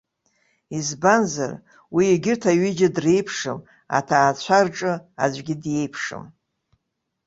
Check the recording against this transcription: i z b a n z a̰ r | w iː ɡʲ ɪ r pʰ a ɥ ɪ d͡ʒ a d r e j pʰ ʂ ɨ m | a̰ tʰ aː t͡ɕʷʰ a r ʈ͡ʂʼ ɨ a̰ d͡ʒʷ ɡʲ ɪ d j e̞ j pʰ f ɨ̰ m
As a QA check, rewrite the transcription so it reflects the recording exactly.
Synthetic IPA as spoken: i z b a n z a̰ r | w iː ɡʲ ɪ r tʰ a ɥ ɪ d͡ʒ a d r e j pʰ ʂ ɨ m | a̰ tʰ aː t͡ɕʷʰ a r ʈ͡ʂʼ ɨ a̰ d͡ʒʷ ɡʲ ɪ d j e̞ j pʰ ʂ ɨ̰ m